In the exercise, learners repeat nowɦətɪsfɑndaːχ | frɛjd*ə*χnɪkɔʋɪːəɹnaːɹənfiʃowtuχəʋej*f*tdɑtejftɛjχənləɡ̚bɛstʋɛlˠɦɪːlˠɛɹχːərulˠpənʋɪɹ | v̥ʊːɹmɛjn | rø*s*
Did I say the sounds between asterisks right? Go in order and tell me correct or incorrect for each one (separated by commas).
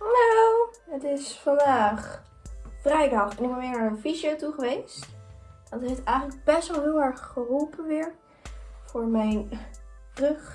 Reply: incorrect, incorrect, incorrect